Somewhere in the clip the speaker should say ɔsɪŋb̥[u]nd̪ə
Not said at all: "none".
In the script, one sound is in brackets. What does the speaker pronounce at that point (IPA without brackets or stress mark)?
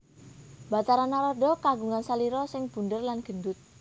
u